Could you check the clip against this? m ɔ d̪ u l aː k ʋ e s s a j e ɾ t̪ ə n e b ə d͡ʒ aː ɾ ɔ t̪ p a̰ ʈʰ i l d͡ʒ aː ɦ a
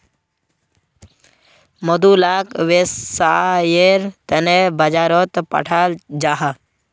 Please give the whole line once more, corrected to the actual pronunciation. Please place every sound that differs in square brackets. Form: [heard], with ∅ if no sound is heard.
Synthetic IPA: m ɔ d̪ u l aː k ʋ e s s a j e ɾ t̪ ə n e b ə d͡ʒ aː ɾ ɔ t̪ p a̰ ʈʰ [a] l d͡ʒ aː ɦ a